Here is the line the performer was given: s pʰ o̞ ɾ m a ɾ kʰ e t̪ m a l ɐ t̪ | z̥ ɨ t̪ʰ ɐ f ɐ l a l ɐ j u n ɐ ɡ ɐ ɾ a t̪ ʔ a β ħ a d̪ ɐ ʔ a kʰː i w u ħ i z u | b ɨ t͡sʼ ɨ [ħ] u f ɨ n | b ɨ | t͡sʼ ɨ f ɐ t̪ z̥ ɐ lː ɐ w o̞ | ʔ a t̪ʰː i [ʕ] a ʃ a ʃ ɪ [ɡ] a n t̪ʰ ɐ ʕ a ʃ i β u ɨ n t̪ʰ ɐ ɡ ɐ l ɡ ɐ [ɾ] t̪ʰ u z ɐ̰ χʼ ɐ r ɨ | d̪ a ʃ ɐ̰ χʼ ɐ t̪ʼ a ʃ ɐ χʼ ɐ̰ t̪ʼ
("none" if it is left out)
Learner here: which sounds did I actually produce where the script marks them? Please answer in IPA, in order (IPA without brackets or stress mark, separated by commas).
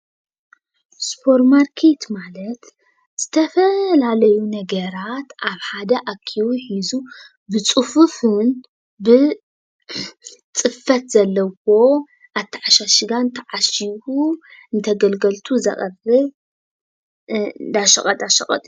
f, ʕ, ɡ, l